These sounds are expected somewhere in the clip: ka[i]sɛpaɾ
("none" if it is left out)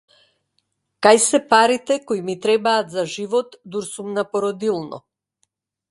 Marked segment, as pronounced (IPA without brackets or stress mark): j